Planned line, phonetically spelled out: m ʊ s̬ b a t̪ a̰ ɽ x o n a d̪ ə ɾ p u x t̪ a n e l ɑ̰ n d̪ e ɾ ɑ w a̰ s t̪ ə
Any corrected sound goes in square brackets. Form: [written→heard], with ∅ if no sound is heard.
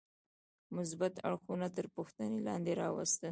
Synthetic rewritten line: m ʊ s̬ b a t̪ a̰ ɽ x [o→u] n a [d̪→t̪] ə ɾ p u x t̪ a n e l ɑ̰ n d̪ e ɾ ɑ w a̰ s t̪ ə

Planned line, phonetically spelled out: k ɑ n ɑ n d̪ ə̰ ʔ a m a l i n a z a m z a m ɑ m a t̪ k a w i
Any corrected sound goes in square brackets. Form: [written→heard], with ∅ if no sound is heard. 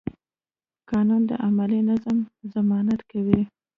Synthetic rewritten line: k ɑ n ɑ n d̪ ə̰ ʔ a m a l i n a z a m z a m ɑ [m→n] a t̪ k a w i

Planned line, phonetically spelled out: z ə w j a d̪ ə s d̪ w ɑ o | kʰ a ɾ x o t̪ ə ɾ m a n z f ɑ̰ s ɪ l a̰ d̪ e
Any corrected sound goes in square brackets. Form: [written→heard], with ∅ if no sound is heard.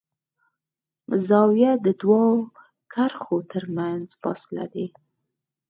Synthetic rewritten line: z [ə→ɑ] w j a d̪ ə [s→∅] d̪ w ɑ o | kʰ a ɾ x o t̪ ə ɾ m a n z f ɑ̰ s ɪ l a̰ d̪ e

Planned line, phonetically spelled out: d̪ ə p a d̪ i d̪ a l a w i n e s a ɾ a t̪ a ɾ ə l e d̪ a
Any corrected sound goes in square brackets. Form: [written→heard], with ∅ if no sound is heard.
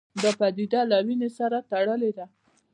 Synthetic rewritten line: d̪ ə p a d̪ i d̪ a l a w i n e s a ɾ a t̪ a [ɾ→ɽ] ə l e d̪ a

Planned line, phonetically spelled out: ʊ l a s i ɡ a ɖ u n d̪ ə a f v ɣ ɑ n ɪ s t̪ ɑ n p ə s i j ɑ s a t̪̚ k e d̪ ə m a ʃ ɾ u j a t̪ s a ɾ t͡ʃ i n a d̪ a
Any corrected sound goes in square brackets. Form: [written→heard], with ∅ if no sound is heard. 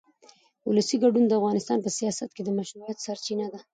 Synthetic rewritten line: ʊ l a s i ɡ a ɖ u n d̪ ə a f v ɣ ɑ n ɪ s t̪ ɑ n p ə s i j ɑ s a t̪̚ k e d̪ ə m a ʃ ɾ u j a t̪ s a ɾ t͡ʃ i n a d̪ a

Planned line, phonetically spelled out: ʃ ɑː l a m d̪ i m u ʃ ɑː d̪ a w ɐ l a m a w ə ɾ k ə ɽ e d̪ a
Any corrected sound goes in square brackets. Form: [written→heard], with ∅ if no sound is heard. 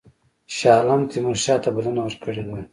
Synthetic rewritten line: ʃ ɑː l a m [d̪→t̪] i m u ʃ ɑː [d̪→t̪] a [w→b] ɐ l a [m→n] a w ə ɾ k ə ɽ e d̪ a

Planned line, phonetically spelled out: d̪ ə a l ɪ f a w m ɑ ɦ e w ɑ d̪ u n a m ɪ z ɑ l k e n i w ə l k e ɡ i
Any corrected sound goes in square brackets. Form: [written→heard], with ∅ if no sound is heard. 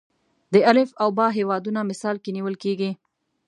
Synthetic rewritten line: d̪ ə a l ɪ f a w [m→b] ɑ ɦ e w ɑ d̪ u n a m ɪ [z→s] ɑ l k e n i w ə l k e ɡ i

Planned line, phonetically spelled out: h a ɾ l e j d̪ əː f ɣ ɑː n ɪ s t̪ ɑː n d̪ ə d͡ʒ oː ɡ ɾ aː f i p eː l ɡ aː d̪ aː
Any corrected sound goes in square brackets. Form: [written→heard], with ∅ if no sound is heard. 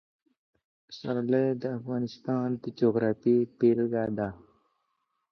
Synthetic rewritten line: [h→s] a ɾ l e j d̪ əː f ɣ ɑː n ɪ s t̪ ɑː n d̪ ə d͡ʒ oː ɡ ɾ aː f i p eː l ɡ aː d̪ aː

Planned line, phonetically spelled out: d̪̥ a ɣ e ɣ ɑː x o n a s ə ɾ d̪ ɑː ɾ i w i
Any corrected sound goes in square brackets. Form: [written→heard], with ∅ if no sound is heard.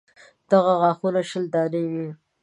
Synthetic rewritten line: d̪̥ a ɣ [e→a] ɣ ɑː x [o→u] n a [s→ʃ] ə [ɾ→l] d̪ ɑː ɾ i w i

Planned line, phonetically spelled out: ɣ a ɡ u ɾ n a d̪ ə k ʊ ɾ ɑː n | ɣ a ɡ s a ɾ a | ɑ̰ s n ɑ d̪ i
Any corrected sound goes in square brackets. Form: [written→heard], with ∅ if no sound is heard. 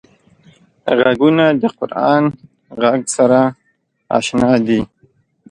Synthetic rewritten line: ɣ a ɡ u [ɾ→∅] n a d̪ ə [k→q] ʊ ɾ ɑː n | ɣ a ɡ s a ɾ a | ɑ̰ [s→ʃ] n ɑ d̪ i

